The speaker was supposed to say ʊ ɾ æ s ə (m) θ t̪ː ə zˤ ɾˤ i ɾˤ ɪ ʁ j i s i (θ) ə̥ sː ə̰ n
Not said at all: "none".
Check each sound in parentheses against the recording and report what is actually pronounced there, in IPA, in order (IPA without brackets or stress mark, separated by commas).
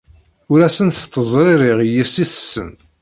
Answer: n, θ